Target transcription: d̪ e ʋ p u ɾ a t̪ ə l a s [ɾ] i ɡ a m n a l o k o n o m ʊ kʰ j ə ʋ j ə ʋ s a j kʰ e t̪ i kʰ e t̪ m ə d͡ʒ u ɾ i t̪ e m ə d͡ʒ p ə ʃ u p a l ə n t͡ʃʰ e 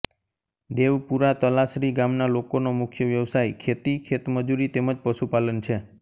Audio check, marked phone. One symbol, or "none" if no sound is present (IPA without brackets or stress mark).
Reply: ɾ